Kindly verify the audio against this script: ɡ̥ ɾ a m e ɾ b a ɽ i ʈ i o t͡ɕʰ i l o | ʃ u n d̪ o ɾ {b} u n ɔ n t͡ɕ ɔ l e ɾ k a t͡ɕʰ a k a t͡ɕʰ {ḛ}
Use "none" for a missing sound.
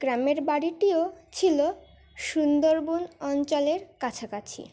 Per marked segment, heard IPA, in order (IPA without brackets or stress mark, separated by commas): b, ḭ